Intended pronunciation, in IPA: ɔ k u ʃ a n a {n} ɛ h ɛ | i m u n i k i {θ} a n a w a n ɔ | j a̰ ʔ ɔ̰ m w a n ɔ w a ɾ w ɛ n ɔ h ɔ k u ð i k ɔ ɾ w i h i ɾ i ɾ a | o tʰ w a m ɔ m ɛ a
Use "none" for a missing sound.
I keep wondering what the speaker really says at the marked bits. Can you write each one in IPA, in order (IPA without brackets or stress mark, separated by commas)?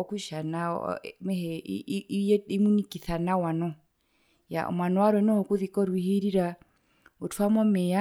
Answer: m, θ